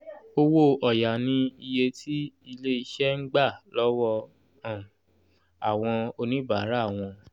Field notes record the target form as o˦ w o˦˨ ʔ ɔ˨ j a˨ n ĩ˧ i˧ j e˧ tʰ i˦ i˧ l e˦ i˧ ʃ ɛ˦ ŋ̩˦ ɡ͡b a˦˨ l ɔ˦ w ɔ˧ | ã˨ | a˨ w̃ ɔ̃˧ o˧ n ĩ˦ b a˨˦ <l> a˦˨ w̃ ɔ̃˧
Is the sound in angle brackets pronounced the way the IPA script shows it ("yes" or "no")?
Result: no